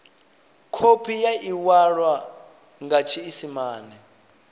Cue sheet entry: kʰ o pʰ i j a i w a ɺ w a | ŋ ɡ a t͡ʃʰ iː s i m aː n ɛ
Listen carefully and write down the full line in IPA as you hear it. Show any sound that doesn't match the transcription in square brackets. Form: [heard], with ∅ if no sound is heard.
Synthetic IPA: kʰ o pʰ i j a i w a ɺ w a | ŋ ɡ a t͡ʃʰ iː s i m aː n ɛ